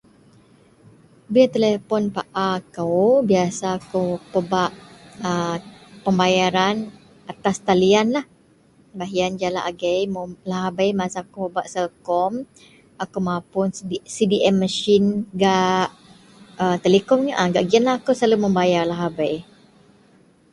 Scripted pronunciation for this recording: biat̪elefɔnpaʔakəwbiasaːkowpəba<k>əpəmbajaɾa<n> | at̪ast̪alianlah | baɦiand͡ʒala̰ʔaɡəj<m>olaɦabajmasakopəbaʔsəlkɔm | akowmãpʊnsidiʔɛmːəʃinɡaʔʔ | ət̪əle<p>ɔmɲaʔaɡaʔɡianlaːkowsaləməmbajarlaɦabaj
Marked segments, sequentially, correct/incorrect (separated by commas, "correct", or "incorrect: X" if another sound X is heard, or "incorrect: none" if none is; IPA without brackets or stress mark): incorrect: ʔ, correct, correct, incorrect: k